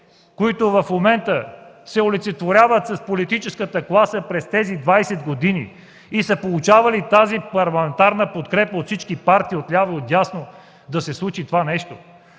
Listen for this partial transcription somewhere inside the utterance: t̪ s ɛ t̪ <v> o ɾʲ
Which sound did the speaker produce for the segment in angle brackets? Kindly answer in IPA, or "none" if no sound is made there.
v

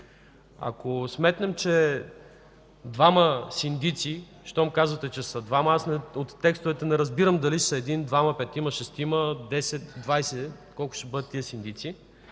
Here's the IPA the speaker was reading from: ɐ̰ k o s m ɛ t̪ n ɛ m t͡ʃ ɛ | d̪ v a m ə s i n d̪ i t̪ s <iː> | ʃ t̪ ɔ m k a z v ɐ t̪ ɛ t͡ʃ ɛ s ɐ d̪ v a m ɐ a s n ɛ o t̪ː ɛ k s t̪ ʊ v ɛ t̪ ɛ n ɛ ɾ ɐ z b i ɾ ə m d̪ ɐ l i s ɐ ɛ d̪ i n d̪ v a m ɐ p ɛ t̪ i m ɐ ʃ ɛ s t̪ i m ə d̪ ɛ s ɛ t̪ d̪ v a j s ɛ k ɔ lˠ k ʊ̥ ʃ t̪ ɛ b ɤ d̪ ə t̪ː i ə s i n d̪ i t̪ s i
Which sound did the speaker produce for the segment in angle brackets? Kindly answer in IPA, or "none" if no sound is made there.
i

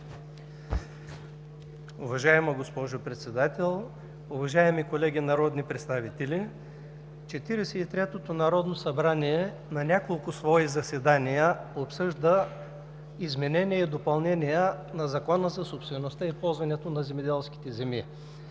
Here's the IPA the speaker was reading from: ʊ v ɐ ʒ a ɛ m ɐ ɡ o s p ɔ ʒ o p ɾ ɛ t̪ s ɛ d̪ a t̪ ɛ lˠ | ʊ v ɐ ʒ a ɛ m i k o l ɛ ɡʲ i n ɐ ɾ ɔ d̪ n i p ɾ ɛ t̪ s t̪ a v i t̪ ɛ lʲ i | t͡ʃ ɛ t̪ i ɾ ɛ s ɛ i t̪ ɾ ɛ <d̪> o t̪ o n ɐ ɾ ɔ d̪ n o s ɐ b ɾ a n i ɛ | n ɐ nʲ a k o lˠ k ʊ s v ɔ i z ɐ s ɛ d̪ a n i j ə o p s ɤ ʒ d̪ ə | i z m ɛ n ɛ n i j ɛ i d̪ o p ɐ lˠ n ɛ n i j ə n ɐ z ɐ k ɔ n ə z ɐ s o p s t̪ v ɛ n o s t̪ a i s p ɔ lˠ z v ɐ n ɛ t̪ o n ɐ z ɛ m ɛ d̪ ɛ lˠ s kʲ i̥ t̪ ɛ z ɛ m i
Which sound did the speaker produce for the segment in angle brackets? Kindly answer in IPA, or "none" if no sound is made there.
t̪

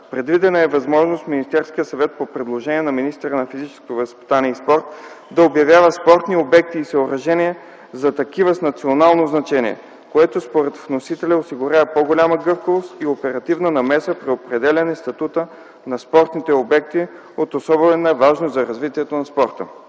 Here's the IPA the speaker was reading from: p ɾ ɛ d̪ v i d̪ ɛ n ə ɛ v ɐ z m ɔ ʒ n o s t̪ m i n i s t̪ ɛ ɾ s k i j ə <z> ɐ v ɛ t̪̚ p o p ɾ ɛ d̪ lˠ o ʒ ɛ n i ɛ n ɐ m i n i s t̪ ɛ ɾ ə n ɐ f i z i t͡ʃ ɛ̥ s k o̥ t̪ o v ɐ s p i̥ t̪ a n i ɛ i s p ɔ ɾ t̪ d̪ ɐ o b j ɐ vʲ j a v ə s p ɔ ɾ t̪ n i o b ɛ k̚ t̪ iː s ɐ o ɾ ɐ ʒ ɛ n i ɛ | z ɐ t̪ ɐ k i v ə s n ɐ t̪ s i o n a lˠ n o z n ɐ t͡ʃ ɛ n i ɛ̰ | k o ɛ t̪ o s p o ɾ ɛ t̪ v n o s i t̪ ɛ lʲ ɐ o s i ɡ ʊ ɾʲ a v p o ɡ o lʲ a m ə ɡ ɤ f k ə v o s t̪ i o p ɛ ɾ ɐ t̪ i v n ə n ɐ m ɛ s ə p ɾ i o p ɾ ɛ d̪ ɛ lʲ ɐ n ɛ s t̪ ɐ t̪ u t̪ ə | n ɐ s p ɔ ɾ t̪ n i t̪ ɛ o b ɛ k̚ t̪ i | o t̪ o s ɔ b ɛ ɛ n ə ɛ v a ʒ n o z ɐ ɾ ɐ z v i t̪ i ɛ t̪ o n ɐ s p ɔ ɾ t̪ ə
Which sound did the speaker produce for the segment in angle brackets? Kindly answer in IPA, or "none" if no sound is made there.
s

